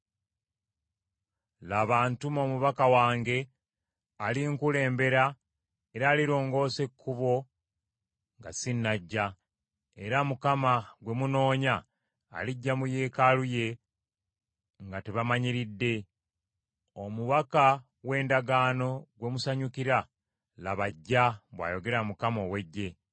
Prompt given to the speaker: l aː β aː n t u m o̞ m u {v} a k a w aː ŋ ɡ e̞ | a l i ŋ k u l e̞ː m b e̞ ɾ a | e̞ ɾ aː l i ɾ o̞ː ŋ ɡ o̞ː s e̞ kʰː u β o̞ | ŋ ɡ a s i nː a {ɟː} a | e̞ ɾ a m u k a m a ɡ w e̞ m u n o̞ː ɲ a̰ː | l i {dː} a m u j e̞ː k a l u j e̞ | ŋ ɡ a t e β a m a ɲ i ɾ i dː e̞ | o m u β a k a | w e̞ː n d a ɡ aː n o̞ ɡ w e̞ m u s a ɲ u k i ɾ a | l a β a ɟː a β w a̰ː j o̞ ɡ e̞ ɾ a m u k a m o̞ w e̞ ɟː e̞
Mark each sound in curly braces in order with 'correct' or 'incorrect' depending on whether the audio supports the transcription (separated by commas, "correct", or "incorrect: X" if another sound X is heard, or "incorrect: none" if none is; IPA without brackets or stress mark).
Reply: incorrect: β, correct, incorrect: ɟː